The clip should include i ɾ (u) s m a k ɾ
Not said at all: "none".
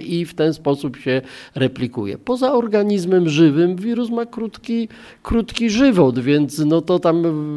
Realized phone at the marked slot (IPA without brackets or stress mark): u